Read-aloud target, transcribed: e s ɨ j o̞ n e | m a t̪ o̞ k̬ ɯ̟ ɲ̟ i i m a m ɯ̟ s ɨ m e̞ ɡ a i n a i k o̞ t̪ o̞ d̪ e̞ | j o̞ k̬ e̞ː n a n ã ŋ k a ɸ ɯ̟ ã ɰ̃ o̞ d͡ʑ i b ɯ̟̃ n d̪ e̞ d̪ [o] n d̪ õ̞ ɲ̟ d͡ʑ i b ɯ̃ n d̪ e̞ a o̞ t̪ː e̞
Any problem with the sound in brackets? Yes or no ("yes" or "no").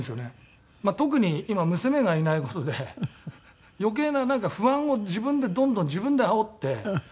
yes